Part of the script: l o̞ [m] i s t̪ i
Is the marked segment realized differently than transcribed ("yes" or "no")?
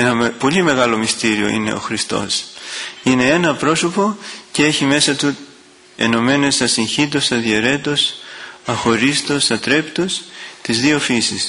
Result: no